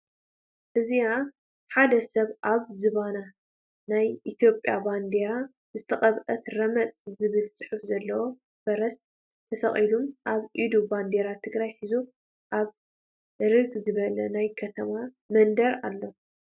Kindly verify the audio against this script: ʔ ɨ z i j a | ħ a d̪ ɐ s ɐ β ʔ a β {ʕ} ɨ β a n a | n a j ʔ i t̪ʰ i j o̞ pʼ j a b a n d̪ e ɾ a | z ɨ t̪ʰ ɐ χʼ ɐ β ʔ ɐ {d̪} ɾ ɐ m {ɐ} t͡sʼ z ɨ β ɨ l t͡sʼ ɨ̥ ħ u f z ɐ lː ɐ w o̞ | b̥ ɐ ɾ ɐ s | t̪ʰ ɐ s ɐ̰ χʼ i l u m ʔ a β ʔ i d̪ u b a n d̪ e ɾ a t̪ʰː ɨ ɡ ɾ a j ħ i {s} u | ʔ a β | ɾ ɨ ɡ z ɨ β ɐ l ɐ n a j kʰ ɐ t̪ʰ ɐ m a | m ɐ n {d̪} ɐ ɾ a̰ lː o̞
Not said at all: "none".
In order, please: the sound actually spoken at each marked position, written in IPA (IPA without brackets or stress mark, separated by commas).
z, t̪, ɐ, z, d̪